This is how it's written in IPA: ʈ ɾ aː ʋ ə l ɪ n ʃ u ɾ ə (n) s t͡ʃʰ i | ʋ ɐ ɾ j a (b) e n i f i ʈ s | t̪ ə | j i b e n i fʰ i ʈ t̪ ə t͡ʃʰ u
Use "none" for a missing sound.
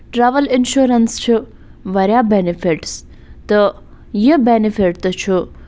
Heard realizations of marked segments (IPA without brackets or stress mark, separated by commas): n, b